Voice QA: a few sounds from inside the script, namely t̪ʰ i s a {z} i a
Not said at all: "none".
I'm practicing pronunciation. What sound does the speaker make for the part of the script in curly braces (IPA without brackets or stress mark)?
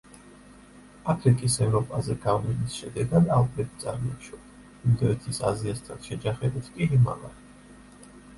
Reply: z